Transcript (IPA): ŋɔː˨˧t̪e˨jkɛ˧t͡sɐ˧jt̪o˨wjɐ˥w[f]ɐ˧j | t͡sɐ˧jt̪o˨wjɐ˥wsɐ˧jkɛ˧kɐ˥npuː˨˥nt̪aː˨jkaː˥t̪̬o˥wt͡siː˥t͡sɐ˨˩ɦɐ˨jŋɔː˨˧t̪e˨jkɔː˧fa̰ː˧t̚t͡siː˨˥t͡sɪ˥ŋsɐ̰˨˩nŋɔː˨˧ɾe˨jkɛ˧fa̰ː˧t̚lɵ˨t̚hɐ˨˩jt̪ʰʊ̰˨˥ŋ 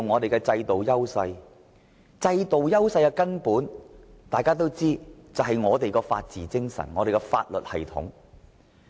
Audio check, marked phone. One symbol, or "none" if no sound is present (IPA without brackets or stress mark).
s